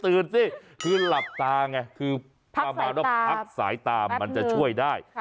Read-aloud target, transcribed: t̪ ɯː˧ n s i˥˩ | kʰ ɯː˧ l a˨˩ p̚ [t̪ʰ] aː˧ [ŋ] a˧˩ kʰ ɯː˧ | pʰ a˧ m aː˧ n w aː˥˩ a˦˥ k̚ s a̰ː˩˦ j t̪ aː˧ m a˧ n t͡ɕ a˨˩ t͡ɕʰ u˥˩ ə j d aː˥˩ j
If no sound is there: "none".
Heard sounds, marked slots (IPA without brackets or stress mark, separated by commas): t̪, ŋ